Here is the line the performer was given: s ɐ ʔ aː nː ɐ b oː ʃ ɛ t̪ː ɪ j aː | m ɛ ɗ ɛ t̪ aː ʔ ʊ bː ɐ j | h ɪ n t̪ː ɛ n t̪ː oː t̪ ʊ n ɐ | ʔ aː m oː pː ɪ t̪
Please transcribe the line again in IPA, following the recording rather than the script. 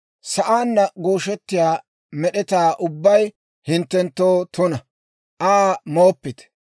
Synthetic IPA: s ɐ ʔ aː nː ɐ ɡ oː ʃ ɛ t̪ː ɪ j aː | m ɛ ɗ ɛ t̪ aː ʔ ʊ bː ɐ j | h ɪ n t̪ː ɛ n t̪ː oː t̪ ʊ n ɐ | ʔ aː m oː pː ɪ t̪